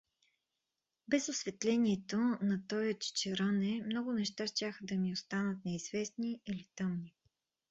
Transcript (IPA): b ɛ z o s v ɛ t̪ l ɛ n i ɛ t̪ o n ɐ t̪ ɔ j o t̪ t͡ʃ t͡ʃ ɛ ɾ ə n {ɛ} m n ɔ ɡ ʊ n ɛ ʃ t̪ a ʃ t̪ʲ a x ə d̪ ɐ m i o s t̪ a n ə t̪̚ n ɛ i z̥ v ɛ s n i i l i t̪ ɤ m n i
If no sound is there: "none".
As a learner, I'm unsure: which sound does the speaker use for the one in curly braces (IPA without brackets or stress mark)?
ɛ